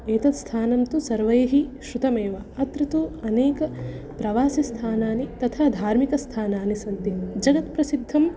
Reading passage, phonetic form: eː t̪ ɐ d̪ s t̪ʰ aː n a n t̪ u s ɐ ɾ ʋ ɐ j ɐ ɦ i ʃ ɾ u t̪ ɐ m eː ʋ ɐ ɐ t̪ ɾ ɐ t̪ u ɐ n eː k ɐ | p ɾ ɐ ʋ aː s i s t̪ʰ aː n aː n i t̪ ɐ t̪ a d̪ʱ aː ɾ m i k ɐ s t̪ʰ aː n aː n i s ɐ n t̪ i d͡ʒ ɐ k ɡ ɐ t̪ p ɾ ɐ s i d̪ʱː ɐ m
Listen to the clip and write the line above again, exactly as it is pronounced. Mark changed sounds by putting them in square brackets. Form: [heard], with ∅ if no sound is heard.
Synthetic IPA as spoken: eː t̪ ɐ [t̪] s t̪ʰ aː n [ɐ] n t̪ u s ɐ ɾ ʋ ɐ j ɐ ɦ i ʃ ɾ u t̪ ɐ m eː ʋ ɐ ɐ t̪ ɾ ɐ t̪ u ɐ n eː k ɐ | p ɾ ɐ ʋ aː s i s t̪ʰ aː n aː n i t̪ ɐ [t̪ʰ] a d̪ʱ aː ɾ m i k ɐ s t̪ʰ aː n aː n i s ɐ n t̪ i d͡ʒ ɐ [∅] ɡ ɐ t̪ p ɾ ɐ s i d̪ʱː ɐ m